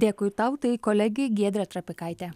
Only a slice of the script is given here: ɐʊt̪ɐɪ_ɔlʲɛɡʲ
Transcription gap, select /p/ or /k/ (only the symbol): k